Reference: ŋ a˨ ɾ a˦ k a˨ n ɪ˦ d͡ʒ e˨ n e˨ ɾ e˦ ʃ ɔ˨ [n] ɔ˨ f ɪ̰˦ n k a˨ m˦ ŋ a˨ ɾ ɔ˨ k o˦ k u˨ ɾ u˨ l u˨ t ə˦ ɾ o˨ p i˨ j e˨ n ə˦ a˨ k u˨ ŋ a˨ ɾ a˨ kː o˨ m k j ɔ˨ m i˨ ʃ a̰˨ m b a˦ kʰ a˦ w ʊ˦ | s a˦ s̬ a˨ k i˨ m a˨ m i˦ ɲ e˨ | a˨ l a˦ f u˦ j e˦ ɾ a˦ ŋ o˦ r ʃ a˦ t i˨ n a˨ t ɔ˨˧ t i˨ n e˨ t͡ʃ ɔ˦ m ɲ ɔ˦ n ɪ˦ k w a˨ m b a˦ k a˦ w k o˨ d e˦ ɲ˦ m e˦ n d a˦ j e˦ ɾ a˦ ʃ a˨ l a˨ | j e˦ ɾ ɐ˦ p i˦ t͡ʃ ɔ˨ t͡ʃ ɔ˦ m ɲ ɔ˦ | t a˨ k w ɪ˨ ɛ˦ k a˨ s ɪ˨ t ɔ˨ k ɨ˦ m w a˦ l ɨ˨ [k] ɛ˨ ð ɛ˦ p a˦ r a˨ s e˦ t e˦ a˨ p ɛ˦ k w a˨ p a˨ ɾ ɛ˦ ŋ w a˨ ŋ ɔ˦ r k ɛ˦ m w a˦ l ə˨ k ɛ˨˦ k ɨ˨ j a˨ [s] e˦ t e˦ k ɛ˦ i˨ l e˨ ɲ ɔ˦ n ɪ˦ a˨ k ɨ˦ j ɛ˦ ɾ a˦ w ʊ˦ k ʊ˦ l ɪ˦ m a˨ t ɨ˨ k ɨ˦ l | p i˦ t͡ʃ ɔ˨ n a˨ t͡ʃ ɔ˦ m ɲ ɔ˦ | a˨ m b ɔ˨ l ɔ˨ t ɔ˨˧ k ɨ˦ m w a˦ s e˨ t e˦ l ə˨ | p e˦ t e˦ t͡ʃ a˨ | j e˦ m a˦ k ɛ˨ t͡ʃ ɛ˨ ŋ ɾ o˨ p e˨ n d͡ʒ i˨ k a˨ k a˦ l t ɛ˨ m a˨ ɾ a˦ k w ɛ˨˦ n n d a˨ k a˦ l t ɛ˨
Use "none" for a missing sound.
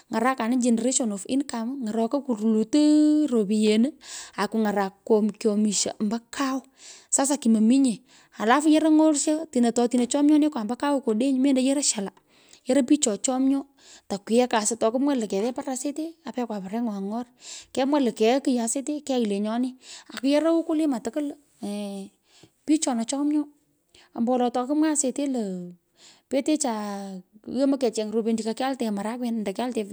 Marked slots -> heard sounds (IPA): n, k, s

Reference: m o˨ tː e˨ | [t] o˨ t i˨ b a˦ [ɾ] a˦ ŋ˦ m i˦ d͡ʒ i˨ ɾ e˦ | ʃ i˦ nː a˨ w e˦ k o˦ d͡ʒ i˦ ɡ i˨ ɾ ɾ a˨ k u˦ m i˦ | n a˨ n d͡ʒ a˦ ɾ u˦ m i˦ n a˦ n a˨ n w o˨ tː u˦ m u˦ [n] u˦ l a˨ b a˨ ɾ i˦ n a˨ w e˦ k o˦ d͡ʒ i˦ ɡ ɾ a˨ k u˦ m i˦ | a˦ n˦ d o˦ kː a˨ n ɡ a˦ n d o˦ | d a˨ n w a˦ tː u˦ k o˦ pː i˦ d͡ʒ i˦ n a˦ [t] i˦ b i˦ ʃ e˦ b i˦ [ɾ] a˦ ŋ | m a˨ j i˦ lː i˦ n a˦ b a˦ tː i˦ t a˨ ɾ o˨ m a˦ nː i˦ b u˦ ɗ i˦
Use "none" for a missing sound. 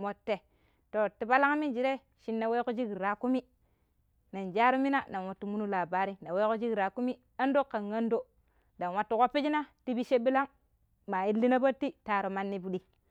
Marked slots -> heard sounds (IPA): t, l, n, t, l

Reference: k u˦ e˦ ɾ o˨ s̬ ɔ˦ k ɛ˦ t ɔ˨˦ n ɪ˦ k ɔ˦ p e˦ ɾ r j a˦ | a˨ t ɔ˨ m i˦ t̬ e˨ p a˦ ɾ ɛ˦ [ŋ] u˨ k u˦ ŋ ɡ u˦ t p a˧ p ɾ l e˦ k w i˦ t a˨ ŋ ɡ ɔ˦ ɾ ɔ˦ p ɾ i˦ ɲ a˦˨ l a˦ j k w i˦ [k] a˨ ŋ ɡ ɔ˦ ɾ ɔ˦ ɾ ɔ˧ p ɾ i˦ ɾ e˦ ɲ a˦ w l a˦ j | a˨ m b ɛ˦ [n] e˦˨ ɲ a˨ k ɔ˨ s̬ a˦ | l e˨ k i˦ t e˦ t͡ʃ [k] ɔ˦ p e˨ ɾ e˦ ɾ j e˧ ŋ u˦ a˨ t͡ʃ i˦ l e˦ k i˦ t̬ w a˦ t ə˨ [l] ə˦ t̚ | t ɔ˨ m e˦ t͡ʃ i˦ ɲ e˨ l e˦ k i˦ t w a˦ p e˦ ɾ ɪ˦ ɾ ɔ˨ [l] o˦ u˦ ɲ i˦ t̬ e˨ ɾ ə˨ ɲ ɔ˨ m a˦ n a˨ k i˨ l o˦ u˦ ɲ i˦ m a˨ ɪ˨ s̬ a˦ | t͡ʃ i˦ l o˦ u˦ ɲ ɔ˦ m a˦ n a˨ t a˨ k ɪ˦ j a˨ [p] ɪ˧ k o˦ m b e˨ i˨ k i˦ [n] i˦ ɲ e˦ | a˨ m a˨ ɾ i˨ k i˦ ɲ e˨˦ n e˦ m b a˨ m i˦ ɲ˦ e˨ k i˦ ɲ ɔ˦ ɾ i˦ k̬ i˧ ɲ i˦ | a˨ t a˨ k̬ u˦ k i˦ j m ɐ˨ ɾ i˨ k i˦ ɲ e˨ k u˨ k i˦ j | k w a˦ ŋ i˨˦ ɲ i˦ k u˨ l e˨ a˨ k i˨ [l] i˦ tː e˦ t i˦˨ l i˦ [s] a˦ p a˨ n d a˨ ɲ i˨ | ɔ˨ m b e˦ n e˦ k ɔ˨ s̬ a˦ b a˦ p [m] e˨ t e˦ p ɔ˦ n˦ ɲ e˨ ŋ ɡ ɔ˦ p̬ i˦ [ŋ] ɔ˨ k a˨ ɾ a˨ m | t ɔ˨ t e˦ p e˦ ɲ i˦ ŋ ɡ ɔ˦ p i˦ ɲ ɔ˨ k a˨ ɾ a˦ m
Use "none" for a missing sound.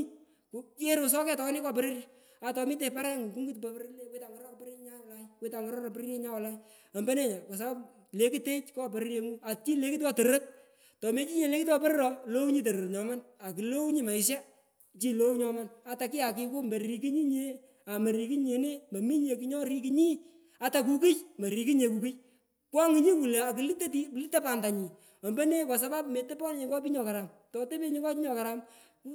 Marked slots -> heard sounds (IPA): ŋ, t, n, k, ɾ, l, k, ɲ, l, t, m, ɲ

